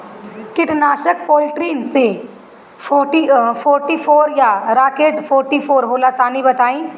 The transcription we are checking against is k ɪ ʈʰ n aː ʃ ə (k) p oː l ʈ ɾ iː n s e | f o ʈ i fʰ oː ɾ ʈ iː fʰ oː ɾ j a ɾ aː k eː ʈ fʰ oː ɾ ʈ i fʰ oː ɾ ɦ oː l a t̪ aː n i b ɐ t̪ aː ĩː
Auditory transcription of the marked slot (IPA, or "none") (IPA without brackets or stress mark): k